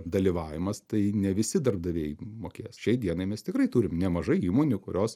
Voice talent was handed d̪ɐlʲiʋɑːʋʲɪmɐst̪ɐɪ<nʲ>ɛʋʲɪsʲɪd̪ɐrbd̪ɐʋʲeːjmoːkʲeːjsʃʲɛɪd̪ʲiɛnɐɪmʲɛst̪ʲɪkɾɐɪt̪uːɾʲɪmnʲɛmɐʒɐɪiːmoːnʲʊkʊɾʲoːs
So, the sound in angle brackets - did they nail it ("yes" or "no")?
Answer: yes